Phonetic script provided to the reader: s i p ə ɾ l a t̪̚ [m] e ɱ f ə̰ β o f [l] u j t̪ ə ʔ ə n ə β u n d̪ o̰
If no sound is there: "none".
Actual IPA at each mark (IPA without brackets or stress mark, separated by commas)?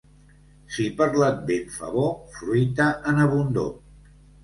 b, ɾ